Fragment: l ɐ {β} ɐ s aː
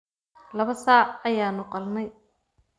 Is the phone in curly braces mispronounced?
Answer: no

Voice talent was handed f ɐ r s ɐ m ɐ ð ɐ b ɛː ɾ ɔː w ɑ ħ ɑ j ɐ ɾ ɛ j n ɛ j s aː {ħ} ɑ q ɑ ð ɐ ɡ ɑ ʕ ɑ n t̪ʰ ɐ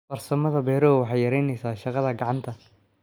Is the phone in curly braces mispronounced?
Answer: yes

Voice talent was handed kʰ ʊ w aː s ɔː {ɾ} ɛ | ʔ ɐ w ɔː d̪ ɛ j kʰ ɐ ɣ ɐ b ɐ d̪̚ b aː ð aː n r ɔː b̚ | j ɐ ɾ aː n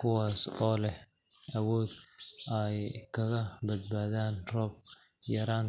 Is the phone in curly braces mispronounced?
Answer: yes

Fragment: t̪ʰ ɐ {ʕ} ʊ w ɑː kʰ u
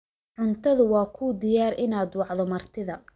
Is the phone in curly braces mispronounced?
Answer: yes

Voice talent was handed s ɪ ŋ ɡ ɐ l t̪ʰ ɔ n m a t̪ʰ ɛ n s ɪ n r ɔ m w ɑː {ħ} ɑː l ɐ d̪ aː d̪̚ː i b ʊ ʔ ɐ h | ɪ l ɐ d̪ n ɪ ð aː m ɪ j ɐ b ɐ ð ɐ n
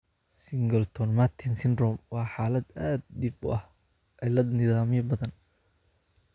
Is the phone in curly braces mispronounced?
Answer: no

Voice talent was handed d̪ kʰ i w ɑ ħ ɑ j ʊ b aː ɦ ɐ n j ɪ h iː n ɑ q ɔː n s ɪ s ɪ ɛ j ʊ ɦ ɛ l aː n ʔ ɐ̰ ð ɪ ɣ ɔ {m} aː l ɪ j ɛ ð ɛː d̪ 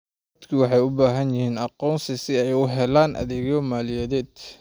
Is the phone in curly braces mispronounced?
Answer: no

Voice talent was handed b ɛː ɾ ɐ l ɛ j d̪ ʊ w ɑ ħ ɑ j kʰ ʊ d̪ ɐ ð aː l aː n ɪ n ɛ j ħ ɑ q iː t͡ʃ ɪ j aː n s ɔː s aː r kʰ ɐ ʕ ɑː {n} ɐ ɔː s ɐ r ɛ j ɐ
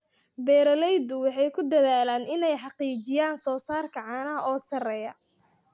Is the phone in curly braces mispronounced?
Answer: no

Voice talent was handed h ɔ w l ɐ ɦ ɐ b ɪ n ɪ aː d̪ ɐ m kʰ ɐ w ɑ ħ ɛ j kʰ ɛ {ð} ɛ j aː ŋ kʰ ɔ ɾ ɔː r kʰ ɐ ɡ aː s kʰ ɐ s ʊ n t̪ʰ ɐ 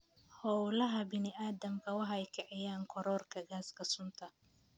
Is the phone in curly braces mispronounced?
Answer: yes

